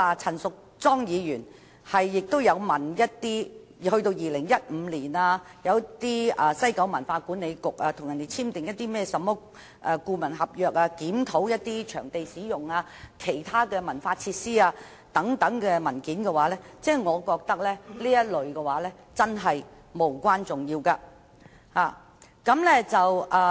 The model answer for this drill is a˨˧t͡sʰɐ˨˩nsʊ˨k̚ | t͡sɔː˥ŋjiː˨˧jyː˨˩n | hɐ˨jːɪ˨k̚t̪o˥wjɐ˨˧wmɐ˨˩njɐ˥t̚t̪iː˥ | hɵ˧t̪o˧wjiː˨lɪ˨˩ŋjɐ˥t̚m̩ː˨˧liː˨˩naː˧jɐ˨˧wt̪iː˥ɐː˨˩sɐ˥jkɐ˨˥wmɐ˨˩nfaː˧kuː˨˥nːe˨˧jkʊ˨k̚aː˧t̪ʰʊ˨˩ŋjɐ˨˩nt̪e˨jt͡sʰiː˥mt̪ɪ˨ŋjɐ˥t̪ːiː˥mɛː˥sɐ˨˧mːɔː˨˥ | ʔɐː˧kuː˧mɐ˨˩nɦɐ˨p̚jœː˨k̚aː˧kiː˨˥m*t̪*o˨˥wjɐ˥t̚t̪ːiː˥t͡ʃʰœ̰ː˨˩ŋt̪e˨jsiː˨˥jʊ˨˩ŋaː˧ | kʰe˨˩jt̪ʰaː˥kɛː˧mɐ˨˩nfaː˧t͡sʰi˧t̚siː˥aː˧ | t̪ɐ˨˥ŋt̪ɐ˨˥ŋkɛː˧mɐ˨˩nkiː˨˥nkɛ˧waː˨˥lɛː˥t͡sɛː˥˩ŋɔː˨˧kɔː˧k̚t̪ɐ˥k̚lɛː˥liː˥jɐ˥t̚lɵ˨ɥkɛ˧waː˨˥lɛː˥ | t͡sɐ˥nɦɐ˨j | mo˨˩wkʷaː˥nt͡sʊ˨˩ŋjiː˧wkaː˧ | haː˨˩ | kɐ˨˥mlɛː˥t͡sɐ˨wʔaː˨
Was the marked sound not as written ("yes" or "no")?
yes